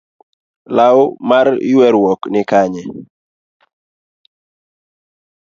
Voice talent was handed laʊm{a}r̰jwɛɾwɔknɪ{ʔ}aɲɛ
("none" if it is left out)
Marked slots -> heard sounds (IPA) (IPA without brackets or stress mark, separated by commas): a, k